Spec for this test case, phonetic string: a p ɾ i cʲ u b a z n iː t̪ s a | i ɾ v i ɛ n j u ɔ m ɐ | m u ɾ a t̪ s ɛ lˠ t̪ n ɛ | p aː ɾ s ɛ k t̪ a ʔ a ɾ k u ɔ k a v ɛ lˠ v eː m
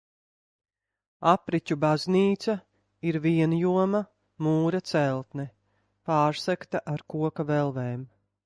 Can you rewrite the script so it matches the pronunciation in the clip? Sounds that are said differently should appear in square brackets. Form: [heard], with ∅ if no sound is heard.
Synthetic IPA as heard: a p ɾ i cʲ u b a z n iː t̪ s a | i ɾ v i ɛ n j u ɔ m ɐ | m [uː] ɾ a t̪ s ɛ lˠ t̪ n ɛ | p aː ɾ s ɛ k t̪ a ʔ a ɾ k u ɔ k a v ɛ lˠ v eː m